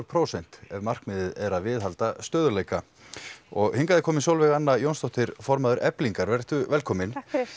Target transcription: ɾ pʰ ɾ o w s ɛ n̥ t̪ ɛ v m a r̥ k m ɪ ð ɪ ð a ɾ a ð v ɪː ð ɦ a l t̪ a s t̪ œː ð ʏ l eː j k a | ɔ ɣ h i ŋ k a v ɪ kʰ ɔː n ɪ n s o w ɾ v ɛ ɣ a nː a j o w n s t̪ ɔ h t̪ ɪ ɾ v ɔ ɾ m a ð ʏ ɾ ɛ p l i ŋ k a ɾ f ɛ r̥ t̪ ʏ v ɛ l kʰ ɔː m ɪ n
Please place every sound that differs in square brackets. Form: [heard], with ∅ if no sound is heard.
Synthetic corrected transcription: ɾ pʰ ɾ o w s ɛ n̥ t̪ ɛ v m a r̥ k m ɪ ð ɪ ð [ɛ] ɾ a ð v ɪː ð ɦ a l t̪ a s t̪ œː ð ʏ l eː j k a | ɔ ɣ h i ŋ k a [ð] ɪ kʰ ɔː [m] ɪ n s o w [l] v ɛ ɣ a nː a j o w n s t̪ ɔ h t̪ ɪ ɾ [f] ɔ ɾ m a ð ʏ ɾ ɛ p l i ŋ k a ɾ [v] ɛ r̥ t̪ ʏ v ɛ l kʰ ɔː m ɪ n